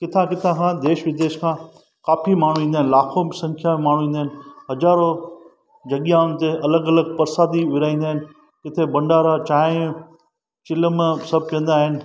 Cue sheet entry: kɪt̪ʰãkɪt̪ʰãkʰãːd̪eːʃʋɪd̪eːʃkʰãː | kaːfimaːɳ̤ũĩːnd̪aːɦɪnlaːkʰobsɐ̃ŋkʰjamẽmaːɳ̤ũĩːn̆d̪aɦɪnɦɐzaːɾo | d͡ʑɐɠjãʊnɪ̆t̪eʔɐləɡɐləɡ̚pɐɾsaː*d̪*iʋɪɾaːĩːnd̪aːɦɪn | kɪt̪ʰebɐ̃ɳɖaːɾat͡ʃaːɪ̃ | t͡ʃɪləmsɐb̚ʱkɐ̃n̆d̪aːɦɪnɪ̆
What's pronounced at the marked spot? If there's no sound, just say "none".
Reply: d̪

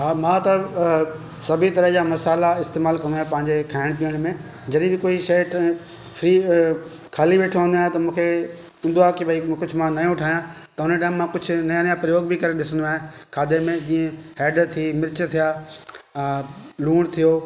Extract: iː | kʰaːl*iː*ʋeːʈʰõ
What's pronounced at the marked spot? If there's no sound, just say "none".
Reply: i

